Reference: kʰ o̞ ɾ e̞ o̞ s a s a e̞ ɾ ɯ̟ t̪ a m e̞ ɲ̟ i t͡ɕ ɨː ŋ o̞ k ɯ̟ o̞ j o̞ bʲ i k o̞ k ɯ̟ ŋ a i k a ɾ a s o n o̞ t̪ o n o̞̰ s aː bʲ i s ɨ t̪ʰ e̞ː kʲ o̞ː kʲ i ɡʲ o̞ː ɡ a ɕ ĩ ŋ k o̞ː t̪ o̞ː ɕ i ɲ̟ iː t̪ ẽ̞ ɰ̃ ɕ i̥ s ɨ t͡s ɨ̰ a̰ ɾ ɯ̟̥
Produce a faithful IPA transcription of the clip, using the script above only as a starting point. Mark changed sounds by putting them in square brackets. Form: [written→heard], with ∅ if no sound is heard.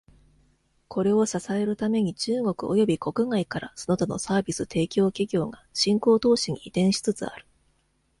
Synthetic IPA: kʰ o̞ ɾ e̞ o̞ s a s a e̞ ɾ ɯ̟ t̪ a m e̞ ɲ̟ i t͡ɕ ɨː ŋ o̞ k ɯ̟ o̞ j o̞ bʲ i k o̞ k ɯ̟ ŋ a i k a ɾ a s o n o̞ t̪ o n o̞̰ s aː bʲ i s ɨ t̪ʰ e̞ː kʲ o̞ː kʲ i ɡʲ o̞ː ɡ a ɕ ĩ ŋ k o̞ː t̪ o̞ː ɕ i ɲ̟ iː t̪ ẽ̞ ɰ̃ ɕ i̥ [s→t͡s] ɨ t͡s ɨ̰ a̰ ɾ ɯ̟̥